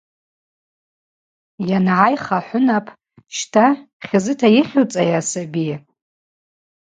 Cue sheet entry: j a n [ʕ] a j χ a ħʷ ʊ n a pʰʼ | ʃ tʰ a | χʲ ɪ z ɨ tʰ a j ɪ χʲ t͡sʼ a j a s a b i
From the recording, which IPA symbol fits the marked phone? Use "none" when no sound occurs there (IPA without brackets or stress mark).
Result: ʕ